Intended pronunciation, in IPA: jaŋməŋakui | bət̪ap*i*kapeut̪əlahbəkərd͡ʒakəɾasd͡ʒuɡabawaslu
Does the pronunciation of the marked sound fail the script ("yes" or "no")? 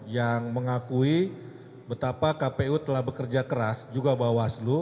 yes